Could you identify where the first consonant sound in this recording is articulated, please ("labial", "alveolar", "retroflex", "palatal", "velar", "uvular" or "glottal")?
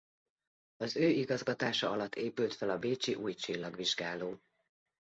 alveolar